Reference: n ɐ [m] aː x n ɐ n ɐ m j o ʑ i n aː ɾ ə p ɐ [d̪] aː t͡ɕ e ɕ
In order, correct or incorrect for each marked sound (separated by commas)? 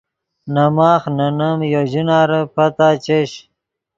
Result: correct, incorrect